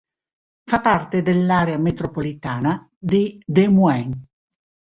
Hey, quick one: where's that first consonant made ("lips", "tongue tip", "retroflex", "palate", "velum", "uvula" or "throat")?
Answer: lips